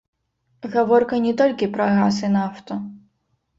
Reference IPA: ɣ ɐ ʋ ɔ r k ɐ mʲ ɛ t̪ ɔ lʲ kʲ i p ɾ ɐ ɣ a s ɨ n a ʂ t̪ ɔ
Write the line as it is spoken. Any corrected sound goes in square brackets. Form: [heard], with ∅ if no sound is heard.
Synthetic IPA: ɣ ɐ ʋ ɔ r k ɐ [nʲ] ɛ t̪ ɔ lʲ kʲ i p ɾ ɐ ɣ a s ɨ n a [f] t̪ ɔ